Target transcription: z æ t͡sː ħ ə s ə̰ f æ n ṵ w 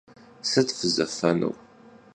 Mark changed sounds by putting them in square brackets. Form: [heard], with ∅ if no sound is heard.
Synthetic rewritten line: [s] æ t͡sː [f] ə [z] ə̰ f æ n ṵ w

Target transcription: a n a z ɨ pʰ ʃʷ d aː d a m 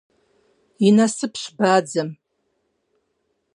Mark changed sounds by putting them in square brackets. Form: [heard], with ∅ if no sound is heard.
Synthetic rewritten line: [i] n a [s] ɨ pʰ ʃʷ [b] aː [d͡z] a m

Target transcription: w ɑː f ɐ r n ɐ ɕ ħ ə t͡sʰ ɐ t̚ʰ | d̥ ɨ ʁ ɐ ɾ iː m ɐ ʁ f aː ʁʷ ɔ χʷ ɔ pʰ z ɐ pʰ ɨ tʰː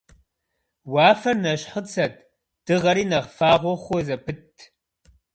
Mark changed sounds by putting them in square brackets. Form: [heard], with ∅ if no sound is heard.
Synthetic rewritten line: w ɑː f ɐ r n ɐ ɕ ħ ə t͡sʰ ɐ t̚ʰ | d̥ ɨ ʁ ɐ ɾ iː [n] ɐ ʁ f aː ʁʷ ɔ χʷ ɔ [∅] z ɐ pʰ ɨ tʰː

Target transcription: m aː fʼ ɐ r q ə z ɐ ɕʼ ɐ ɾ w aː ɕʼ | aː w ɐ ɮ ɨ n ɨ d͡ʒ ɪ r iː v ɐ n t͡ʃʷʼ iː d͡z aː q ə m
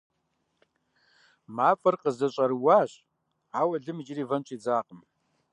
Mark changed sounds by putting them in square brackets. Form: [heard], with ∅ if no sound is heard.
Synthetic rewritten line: m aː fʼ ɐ r q ə z ɐ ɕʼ ɐ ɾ w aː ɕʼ | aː w ɐ ɮ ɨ [m] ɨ d͡ʒ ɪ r iː v ɐ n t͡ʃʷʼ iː d͡z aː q ə m

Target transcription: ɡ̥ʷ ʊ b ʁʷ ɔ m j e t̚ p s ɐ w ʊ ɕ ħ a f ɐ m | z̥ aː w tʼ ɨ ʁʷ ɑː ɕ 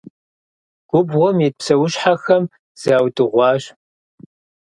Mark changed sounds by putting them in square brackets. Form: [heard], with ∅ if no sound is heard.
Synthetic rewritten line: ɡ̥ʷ ʊ b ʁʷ ɔ m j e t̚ p s ɐ w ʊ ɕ ħ a [x] ɐ m | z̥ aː w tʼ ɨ ʁʷ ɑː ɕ

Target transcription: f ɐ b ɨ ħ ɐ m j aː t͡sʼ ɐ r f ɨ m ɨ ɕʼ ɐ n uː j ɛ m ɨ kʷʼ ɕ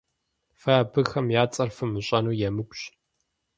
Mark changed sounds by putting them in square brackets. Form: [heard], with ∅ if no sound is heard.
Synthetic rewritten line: f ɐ b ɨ [x] ɐ m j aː t͡sʼ ɐ r f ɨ m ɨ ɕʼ ɐ n uː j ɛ m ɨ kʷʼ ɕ

